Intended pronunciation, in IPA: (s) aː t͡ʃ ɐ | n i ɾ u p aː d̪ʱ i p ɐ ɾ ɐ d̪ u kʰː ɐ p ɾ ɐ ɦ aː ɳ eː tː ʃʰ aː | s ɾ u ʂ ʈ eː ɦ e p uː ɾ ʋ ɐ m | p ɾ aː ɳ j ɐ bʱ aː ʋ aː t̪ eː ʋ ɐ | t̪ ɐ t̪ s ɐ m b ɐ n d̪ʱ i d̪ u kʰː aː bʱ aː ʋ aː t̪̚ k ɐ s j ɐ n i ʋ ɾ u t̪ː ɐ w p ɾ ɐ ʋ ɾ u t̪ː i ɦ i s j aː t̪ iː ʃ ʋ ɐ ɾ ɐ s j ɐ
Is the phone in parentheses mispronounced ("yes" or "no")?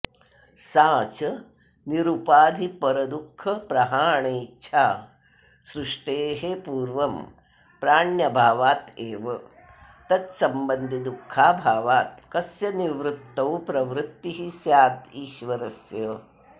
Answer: no